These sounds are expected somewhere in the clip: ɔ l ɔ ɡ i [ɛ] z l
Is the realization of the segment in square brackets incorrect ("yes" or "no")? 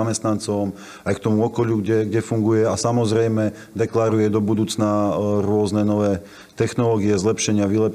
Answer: no